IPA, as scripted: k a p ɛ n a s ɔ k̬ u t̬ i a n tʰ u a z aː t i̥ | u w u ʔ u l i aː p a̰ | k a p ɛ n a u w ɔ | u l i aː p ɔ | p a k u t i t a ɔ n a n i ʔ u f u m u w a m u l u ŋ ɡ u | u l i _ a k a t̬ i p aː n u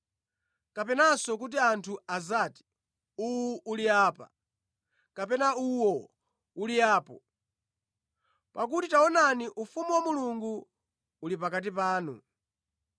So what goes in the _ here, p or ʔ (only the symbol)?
p